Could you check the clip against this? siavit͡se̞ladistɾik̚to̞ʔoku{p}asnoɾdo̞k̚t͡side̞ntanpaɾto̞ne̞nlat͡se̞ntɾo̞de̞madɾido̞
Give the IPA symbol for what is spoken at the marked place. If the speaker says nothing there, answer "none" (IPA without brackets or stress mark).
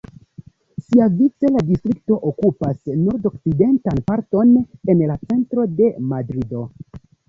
p